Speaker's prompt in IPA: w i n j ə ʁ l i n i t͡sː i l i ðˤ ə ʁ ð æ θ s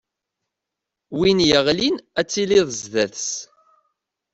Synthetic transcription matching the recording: w i n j ə ʁ l i n æ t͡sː i l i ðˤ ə z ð æ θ s